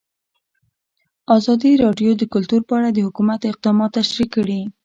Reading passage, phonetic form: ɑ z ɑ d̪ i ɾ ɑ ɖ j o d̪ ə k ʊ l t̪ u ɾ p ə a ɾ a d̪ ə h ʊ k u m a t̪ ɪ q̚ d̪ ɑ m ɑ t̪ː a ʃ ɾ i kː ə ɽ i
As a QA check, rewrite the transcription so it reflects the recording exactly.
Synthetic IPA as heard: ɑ z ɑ d̪ i ɾ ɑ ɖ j o d̪ ə k ʊ l t̪ u ɾ p ə a ɽ a d̪ ə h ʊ k u m a t̪ ɪ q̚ d̪ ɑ m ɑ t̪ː a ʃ ɾ i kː ə ɽ i